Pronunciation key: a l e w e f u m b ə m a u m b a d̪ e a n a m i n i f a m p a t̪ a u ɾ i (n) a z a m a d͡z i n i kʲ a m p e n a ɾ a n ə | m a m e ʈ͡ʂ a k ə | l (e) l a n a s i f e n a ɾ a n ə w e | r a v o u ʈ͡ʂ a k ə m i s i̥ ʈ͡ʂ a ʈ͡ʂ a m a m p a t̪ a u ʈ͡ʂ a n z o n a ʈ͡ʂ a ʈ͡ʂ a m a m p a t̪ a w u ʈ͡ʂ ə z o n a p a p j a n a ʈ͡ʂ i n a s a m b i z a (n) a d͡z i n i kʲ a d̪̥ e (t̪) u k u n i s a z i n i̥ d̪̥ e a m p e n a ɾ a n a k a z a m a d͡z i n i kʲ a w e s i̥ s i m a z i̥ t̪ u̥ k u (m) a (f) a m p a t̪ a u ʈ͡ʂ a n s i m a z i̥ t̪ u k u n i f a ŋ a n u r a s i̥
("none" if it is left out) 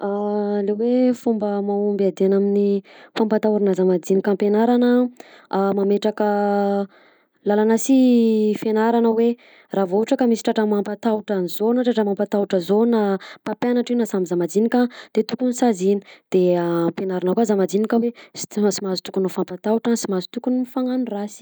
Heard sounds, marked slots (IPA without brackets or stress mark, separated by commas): n, a, m, t̪, n, f